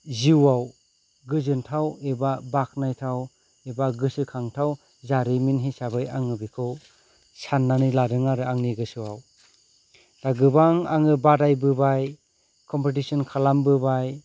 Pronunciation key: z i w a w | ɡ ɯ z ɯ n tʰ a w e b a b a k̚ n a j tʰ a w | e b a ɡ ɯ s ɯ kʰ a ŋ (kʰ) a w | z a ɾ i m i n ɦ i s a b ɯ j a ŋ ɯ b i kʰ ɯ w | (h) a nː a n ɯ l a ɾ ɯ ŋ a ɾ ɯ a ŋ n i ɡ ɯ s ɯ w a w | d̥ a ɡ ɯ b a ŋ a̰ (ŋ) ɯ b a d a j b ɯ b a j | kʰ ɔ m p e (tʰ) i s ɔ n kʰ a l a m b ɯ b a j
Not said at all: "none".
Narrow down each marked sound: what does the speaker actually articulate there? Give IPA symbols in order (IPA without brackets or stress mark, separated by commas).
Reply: tʰ, s, ŋ, t